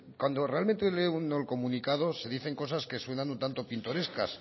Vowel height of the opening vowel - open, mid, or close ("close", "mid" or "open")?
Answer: open